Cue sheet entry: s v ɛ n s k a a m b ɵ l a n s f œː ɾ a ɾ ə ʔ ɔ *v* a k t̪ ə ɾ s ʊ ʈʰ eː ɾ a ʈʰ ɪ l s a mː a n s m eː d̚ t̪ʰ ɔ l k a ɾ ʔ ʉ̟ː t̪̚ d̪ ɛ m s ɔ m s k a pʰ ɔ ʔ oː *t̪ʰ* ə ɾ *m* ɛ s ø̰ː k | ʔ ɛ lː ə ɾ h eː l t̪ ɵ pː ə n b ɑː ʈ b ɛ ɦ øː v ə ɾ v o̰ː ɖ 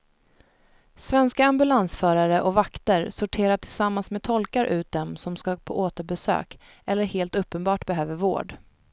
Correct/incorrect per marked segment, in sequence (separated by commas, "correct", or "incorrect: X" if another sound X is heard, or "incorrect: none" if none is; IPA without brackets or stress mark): correct, incorrect: t̪, incorrect: b